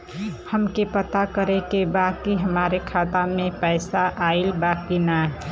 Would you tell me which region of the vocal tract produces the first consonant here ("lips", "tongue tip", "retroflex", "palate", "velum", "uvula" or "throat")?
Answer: throat